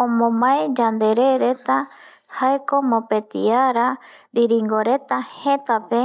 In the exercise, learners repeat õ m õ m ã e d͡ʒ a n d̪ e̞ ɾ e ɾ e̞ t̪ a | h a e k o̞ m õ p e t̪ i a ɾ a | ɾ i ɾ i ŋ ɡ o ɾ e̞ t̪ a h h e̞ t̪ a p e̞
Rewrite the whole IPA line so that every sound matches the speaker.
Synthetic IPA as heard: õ m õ m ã e d͡ʒ a n d̪ e̞ ɾ e ɾ e̞ t̪ a | h a e k o̞ m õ p e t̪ i a ɾ a | ɾ i ɾ i ŋ ɡ o ɾ e̞ t̪ a h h e̞ t̪ a p e̞

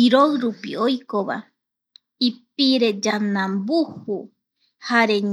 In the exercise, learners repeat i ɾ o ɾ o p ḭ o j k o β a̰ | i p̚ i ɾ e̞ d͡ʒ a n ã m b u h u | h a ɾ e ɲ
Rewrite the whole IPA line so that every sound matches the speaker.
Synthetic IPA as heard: i ɾ o ɾ u p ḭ o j k o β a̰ | i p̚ i ɾ e̞ d͡ʒ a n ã m b u h u | h a ɾ e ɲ

